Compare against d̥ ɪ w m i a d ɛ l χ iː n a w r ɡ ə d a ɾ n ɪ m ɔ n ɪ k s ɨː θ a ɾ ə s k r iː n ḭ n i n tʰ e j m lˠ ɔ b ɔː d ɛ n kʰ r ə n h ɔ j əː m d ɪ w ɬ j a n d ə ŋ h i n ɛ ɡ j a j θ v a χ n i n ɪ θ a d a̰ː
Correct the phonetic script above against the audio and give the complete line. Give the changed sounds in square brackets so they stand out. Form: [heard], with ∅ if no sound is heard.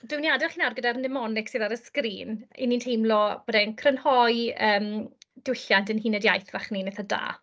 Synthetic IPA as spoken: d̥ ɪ w [n] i a d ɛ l χ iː n a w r ɡ ə d a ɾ n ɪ m ɔ n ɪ k s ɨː [ð] a ɾ ə s k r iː n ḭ n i n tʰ e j m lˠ ɔ b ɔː d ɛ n kʰ r ə n h ɔ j əː m d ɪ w ɬ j a n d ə [n] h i n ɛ [d] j a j θ v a χ n i n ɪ θ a d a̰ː

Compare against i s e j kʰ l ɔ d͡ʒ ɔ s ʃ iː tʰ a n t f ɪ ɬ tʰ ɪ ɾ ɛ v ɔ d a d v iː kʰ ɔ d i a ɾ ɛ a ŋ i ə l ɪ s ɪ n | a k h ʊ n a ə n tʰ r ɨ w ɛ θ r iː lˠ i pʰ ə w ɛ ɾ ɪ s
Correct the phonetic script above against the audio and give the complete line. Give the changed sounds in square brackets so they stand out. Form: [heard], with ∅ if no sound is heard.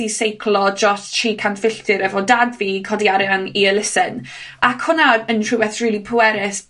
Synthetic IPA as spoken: i s e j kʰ l ɔ d͡ʒ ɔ s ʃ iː [kʰ] a n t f ɪ ɬ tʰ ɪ ɾ ɛ v ɔ d a d v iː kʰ ɔ d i a ɾ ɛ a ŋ i ə l ɪ s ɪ n | a k h ʊ n a ə n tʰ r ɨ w ɛ θ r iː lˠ i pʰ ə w ɛ ɾ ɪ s

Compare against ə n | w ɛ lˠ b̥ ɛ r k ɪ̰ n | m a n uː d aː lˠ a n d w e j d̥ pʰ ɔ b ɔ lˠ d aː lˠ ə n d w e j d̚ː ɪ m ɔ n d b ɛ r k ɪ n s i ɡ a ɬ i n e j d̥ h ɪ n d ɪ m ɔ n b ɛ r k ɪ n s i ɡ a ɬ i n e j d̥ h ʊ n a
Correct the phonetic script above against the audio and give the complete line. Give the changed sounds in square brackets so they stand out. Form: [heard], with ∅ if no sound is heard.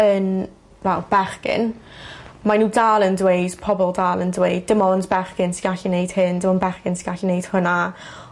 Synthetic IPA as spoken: ə n | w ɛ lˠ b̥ ɛ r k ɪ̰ n | m a n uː d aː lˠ [ə] n d w e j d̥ pʰ ɔ b ɔ lˠ d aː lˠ ə n d w e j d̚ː ɪ m ɔ n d b ɛ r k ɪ n s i ɡ a ɬ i n e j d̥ h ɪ n d ɪ m ɔ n b ɛ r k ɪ n s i ɡ a ɬ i n e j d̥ h ʊ n a

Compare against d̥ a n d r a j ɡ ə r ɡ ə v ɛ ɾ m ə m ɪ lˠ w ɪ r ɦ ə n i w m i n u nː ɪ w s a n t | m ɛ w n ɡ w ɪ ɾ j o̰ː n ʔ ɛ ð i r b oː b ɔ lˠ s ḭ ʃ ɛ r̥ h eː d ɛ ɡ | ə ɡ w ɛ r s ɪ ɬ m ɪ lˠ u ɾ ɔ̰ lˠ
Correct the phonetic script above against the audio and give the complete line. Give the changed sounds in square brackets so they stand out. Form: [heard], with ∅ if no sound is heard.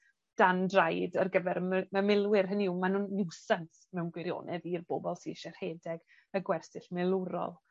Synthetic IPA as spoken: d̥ a n d r a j [d] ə r ɡ ə v ɛ ɾ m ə m ɪ lˠ w ɪ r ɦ ə n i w m [a] n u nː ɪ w s a n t | m ɛ w n ɡ w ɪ ɾ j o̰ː n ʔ ɛ ð i r b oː b ɔ lˠ s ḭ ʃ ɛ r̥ h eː d ɛ ɡ | ə ɡ w ɛ r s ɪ ɬ m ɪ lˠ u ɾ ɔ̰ lˠ

